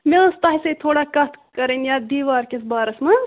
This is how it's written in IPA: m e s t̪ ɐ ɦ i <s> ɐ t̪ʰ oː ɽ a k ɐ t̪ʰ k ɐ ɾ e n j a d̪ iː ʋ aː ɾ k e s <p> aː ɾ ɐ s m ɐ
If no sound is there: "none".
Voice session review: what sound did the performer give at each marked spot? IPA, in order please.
s, b

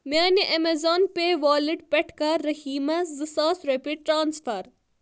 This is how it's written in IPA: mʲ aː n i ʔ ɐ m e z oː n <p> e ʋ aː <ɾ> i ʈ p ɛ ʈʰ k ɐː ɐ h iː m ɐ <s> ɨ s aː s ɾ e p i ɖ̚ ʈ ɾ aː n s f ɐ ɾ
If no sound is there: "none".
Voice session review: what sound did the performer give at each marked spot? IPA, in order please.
p, l, z

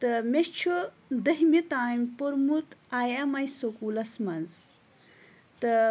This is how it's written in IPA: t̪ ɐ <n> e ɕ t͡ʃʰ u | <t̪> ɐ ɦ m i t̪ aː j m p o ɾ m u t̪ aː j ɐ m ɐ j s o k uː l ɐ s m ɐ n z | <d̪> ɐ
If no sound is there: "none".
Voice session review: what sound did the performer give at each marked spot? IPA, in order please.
m, d̪, t̪

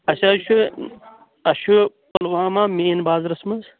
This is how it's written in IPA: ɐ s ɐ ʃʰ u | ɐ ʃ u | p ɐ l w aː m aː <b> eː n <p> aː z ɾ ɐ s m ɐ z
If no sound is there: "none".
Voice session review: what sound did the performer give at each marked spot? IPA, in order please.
m, b

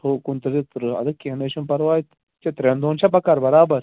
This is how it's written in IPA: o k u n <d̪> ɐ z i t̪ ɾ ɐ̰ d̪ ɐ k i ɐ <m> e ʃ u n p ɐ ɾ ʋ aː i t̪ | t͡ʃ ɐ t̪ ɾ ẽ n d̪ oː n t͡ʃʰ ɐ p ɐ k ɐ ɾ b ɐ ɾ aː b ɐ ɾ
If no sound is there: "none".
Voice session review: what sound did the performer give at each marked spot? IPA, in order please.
t̪, n

